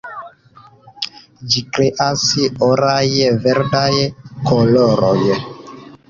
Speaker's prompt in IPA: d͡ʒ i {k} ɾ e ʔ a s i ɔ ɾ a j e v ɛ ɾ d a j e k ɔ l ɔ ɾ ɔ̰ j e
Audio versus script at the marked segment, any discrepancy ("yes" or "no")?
no